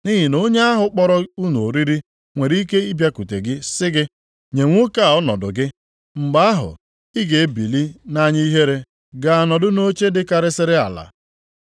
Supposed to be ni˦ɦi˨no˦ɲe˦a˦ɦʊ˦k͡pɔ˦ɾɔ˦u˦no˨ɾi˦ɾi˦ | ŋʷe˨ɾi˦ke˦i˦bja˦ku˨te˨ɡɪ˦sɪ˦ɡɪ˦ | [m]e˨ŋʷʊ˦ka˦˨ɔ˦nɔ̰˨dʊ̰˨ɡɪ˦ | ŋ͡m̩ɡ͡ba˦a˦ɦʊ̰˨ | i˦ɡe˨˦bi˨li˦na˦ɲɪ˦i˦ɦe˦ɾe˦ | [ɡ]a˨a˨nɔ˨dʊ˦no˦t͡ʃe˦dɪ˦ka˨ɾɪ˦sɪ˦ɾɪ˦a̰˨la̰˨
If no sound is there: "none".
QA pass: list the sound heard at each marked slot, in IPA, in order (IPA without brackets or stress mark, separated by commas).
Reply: ɲ, ɡ